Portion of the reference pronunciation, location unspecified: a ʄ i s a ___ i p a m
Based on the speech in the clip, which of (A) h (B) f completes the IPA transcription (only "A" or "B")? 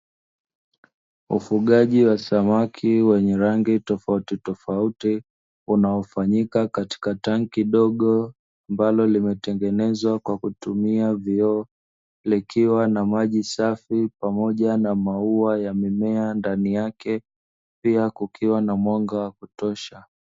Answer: B